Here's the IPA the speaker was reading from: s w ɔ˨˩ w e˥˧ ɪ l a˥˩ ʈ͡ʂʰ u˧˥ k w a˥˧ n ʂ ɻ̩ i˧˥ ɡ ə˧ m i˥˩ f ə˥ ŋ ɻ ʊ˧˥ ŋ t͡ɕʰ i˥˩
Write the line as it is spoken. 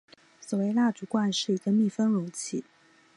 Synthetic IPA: s w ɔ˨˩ w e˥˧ ɪ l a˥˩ ʈ͡ʂ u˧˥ k w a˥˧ n ʂ ɻ̩ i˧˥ ɡ ə˧ m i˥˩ f ə˥ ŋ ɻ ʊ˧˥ ŋ t͡ɕʰ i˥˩